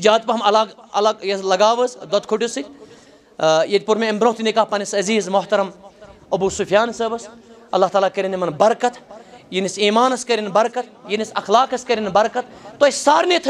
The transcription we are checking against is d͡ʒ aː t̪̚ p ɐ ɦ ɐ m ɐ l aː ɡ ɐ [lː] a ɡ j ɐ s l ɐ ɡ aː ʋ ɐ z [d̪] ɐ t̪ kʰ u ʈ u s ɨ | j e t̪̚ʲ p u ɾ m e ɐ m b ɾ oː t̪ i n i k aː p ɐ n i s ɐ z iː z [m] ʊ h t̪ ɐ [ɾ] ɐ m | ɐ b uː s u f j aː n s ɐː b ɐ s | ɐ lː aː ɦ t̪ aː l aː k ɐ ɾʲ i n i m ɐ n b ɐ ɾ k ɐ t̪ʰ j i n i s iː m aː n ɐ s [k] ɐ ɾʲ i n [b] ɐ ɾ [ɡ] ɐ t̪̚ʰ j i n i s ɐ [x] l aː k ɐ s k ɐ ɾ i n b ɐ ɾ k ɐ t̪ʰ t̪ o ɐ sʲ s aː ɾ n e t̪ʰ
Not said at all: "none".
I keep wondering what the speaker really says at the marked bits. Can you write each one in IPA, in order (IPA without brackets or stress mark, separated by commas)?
l, d̪, m, ɾ, k, b, k, x